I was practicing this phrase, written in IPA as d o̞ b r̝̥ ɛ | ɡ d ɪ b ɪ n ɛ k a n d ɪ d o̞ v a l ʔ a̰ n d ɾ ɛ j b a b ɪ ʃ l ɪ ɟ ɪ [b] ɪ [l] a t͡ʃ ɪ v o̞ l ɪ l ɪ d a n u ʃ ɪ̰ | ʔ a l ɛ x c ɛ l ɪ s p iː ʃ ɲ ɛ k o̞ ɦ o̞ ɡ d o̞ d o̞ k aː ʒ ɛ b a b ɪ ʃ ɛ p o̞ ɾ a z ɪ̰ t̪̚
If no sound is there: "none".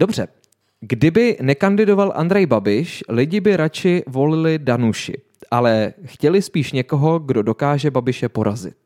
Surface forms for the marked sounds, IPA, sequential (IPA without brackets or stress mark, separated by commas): b, ɾ